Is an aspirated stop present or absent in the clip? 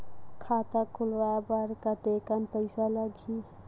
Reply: present